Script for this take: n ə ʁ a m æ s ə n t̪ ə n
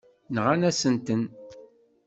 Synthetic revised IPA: n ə ʁ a n æ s ə n t̪ ə n